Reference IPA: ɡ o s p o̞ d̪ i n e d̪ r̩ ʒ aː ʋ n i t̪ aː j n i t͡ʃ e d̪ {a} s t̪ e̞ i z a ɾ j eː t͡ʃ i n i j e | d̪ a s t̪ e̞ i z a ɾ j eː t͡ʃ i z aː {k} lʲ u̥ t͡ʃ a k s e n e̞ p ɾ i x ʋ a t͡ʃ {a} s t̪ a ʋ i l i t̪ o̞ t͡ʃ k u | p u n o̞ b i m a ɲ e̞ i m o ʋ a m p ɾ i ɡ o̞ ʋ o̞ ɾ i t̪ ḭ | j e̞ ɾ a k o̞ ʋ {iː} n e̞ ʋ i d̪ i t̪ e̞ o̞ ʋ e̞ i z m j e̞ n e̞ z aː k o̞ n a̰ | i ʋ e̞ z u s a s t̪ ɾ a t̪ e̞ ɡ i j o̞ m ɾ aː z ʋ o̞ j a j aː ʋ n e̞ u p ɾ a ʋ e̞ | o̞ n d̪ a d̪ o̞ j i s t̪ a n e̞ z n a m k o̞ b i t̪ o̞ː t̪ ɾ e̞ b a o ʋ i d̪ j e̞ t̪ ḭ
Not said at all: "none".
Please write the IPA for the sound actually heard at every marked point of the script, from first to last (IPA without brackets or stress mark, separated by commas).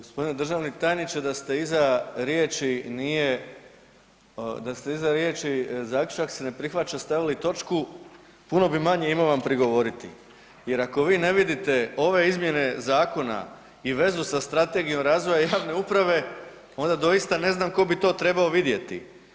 a, k, a, iː